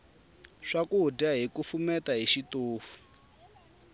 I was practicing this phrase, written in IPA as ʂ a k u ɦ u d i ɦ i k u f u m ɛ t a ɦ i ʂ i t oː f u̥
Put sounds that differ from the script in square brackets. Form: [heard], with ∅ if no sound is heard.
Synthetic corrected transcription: ʂ a k u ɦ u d [a] ɦ i k u f u m ɛ t a ɦ i [ʃ] i t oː f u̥